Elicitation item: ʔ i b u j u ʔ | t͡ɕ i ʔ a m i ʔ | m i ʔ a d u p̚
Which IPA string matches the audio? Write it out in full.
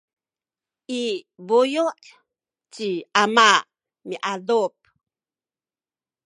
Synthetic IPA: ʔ i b u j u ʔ | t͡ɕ i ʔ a m a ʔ | m i ʔ a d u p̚